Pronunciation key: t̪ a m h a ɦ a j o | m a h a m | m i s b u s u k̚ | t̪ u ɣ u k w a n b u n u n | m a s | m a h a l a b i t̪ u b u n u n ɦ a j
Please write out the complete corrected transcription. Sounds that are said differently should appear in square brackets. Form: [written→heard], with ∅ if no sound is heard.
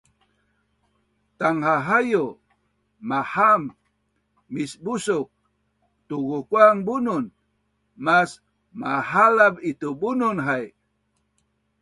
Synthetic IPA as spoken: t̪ a [m→ŋ] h a ɦ a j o | m a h a m | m i s b u s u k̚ | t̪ u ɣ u k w a [n→ŋ] b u n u n | m a s | m a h a l a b i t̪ u b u n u n ɦ a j